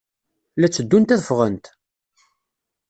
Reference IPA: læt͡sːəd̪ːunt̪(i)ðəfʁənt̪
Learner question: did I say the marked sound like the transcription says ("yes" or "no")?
no